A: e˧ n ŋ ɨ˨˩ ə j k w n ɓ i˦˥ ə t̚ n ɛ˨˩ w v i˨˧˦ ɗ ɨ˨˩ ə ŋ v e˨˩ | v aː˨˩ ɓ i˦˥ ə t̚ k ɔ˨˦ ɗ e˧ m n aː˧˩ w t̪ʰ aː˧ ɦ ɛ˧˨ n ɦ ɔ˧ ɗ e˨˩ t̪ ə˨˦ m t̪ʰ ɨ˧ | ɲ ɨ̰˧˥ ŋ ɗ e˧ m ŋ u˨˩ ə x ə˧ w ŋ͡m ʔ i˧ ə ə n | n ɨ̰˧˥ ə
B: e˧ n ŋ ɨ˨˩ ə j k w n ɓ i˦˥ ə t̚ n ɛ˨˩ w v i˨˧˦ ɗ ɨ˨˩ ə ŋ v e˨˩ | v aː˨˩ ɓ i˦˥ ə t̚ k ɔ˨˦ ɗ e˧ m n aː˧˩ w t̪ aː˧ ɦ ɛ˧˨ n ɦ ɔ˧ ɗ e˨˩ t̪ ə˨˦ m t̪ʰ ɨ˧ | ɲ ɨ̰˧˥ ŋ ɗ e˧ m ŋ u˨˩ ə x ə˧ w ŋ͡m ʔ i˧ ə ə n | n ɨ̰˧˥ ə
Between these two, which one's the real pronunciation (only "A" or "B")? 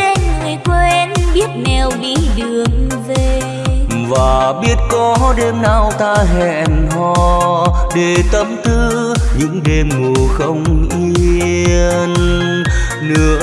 B